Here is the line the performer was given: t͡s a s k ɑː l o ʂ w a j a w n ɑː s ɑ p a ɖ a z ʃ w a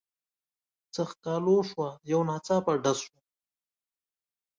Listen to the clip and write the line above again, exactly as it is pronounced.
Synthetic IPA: t͡s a x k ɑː l o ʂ w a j a w n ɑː t͡s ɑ p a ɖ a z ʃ w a